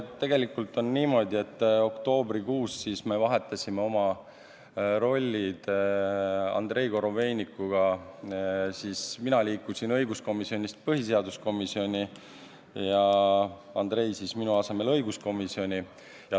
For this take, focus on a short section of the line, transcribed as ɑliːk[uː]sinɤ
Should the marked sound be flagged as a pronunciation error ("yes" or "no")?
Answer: yes